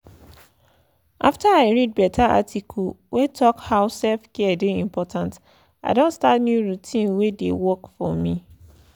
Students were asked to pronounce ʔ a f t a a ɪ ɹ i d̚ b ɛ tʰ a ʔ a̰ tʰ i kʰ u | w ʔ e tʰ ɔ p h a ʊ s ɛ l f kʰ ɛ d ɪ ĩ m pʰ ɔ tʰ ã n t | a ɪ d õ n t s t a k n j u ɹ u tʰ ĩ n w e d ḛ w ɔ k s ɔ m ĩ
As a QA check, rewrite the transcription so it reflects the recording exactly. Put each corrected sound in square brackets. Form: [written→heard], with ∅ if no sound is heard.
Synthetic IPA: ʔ a f t a a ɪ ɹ i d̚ b ɛ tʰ a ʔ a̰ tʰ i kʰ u | w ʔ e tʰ ɔ [p→k] h a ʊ s ɛ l f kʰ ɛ d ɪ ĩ m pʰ ɔ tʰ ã n t | a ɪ d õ n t s t a [k→t] n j u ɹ u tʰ ĩ n w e d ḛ w ɔ k [s→f] ɔ m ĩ